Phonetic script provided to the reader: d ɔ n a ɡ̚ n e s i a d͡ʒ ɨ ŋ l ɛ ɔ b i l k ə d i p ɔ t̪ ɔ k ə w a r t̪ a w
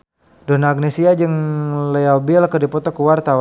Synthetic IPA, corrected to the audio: d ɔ n a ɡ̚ n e s i a d͡ʒ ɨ ŋ l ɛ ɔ b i l k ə d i p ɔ t̪ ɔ k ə w a r t̪ a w